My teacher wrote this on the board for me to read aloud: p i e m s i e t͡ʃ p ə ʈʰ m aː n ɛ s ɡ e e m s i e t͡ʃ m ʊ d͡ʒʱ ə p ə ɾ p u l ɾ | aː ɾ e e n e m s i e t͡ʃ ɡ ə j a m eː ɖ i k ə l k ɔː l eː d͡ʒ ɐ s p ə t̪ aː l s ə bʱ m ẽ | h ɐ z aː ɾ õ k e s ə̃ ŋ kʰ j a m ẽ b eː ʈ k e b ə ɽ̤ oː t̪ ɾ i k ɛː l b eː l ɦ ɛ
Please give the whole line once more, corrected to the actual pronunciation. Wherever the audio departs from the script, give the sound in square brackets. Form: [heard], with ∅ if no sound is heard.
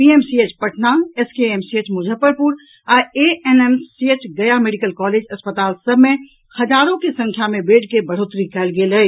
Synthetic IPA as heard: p i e m s i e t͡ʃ p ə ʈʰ [n] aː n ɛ s [k] e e m s i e t͡ʃ m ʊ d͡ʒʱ ə p ə ɾ p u [∅] ɾ | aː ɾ e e n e m s i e t͡ʃ ɡ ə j a m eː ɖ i k ə l k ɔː l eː d͡ʒ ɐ s p ə t̪ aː l s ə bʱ m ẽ | h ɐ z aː ɾ õ k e s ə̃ ŋ kʰ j a m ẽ b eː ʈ k e b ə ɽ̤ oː t̪ ɾ i k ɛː l [ɡ] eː l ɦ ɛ